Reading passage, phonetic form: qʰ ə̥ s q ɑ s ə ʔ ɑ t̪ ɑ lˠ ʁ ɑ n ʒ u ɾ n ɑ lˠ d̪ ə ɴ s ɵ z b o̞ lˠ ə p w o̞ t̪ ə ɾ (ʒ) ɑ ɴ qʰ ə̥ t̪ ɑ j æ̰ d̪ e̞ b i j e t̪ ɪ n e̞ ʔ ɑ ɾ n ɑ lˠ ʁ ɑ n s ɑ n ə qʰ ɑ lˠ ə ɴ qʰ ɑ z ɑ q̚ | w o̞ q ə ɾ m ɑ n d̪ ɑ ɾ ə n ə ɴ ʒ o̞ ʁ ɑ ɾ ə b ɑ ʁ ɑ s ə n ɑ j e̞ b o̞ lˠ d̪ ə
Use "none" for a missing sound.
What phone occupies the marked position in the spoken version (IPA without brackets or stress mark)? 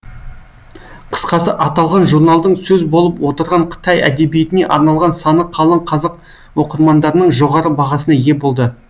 ʁ